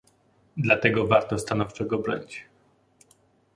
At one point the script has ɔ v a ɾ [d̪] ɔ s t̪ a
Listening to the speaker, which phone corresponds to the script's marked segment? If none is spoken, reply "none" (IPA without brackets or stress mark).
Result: t̪